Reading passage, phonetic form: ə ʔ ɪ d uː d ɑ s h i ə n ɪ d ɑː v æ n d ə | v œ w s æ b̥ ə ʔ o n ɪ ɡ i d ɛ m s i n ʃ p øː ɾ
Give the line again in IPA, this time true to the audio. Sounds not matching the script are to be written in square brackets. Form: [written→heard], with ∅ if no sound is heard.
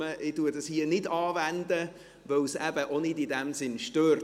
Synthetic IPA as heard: ə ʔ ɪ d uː d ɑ s h i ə n ɪ d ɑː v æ n d ə | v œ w s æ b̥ ə ʔ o n ɪ [ɡ→d] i d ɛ m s [i→ɪ] n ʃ [p→t] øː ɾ